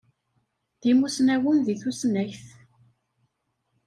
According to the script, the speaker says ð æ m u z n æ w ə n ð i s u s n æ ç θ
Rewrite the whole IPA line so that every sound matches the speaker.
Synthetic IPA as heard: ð i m u s n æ w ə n ð i θ u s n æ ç θ